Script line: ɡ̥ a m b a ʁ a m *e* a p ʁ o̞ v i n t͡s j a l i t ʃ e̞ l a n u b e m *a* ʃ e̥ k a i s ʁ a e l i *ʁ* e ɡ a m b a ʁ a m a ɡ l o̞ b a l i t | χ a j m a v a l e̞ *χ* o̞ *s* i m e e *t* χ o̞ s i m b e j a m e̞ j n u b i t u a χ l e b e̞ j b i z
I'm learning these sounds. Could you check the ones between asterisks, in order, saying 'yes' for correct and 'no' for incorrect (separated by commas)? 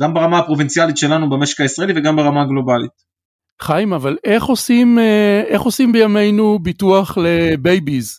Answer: no, no, no, yes, yes, no